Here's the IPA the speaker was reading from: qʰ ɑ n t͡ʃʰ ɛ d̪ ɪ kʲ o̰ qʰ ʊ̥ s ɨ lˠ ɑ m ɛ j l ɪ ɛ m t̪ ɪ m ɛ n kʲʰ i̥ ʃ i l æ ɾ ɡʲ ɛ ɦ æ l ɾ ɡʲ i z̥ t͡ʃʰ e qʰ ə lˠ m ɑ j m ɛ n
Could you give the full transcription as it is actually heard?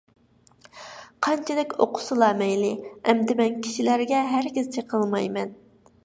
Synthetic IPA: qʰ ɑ n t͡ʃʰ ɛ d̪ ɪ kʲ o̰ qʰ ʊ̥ s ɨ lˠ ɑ m ɛ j l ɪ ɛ m d̪ ɪ m ɛ n kʲʰ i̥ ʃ i l æ ɾ ɡʲ ɛ ɦ æ ɾ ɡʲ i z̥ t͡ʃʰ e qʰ ə lˠ m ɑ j m ɛ n